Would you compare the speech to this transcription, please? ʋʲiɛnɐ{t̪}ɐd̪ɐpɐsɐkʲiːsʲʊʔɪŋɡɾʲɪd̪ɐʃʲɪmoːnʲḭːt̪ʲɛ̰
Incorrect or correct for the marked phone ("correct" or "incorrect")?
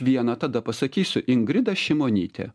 correct